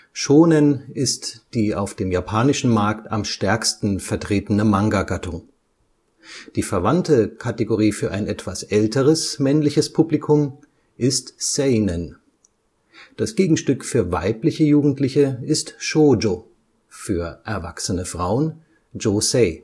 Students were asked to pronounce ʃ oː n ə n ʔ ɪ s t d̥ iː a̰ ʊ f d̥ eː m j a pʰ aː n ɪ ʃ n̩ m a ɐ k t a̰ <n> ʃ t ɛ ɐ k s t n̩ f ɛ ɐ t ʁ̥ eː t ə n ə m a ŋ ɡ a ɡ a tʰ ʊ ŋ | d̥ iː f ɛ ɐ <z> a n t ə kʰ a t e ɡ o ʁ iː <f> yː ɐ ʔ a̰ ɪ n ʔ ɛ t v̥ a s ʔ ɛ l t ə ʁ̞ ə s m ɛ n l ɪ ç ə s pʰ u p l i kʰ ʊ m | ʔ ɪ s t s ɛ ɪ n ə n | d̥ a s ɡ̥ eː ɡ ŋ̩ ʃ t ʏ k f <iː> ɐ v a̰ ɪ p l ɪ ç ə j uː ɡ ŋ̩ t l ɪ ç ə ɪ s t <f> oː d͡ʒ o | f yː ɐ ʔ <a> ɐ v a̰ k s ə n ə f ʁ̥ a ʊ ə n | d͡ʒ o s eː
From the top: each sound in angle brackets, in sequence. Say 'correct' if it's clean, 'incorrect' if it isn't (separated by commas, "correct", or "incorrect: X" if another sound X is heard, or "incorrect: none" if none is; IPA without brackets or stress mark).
incorrect: m, incorrect: v, correct, incorrect: yː, incorrect: ʃ, incorrect: ɛ